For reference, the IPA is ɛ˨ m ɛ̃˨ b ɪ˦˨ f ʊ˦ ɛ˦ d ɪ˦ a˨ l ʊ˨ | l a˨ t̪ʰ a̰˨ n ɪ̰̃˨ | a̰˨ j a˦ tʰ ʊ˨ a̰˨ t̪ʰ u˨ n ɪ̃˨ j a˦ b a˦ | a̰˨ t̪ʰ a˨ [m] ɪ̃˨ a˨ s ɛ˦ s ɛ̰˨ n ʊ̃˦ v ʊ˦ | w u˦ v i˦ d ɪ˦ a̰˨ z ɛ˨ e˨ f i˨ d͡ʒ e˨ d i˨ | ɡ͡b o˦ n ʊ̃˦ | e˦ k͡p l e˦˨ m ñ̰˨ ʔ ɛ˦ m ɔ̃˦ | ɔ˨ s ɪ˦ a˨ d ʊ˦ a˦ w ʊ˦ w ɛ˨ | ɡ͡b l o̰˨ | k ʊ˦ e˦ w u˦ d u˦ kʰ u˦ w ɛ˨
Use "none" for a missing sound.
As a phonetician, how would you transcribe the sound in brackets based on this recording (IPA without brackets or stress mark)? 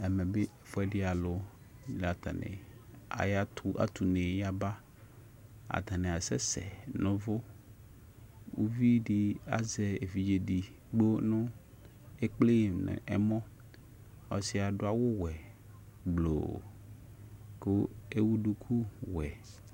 n